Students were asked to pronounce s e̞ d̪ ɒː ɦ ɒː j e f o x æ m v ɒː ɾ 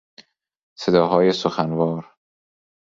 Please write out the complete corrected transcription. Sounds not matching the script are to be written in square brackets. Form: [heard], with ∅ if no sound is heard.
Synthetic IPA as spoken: s e̞ d̪ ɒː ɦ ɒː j e [s] o x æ [n] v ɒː ɾ